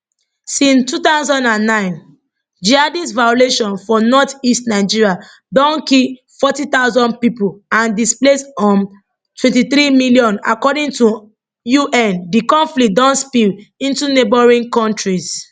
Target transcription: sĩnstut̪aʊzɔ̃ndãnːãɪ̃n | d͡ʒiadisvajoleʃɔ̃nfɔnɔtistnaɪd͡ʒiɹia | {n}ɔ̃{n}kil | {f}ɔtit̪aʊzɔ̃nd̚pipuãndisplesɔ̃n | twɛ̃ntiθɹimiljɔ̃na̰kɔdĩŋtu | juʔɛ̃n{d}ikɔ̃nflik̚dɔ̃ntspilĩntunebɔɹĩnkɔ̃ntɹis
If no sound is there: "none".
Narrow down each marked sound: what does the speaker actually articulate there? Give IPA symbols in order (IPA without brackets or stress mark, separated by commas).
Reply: d, n, f, d